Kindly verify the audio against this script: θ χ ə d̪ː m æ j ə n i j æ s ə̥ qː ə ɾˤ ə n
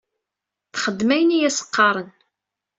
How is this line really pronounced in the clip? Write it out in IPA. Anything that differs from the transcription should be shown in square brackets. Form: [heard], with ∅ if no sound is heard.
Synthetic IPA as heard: θ χ ə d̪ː m æ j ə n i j æ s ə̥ qː [ɑ] ɾˤ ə n